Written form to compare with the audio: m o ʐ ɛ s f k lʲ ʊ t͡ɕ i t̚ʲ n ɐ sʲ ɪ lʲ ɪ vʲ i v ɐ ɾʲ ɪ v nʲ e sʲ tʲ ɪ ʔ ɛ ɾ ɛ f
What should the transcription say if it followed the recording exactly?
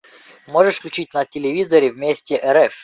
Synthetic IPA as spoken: m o ʐ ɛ ʂ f k lʲ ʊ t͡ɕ i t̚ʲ n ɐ tʲ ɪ lʲ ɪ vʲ i z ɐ ɾʲ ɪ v mʲ e sʲ tʲ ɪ ʔ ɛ ɾ ɛ f